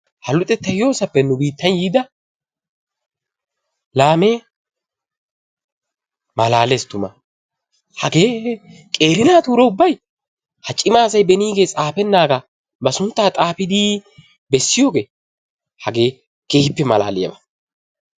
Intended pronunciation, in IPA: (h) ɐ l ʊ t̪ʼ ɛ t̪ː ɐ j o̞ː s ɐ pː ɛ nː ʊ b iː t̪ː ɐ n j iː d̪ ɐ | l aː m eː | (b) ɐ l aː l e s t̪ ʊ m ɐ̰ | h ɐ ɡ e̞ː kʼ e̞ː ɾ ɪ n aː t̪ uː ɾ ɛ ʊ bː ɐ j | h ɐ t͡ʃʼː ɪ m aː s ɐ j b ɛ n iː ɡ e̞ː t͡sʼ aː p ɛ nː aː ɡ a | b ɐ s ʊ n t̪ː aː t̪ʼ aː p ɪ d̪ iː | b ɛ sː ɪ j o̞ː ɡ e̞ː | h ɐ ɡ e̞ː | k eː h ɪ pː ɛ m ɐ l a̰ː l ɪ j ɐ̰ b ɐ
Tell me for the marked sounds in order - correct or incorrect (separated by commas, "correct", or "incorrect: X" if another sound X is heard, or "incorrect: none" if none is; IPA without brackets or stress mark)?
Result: correct, incorrect: m